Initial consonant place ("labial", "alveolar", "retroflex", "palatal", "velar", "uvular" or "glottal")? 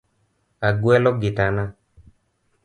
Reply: velar